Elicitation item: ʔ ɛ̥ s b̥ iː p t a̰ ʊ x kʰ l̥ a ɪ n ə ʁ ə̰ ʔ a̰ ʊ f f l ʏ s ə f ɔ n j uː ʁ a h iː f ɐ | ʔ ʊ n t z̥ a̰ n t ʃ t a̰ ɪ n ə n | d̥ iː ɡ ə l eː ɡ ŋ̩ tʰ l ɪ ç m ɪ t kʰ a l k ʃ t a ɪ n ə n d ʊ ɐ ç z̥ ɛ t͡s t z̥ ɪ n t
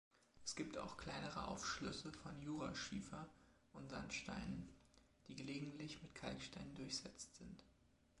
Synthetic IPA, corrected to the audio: ʔ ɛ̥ s ɡ̥ iː p t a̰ ʊ x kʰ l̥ a ɪ n ə ʁ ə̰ ʔ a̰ ʊ f ʃ l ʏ s ə f ɔ n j uː ʁ a ʃ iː f ɐ | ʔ ʊ n t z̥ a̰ n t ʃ t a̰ ɪ n ə n | d̥ iː ɡ ə l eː ɡ ŋ̩ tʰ l ɪ ç m ɪ t kʰ a l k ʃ t a ɪ n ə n d ʊ ɐ ç z̥ ɛ t͡s t z̥ ɪ n t